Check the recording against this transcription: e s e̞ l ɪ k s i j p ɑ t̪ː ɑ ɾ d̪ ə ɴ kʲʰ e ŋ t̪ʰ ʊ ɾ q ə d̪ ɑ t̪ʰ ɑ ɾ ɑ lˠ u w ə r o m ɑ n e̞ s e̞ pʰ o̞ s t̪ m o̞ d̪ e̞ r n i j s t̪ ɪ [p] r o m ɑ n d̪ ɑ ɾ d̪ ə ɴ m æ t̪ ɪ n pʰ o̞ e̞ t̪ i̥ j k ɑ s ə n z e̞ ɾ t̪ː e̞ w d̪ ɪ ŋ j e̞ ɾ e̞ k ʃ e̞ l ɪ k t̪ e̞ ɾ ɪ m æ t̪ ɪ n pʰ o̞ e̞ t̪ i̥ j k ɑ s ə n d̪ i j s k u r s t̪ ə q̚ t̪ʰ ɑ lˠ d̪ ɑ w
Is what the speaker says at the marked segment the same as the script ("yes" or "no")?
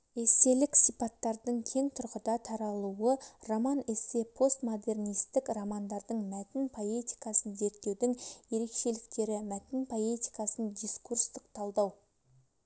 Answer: no